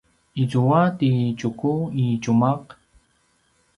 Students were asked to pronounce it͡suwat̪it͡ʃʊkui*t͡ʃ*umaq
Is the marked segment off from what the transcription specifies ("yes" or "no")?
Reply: no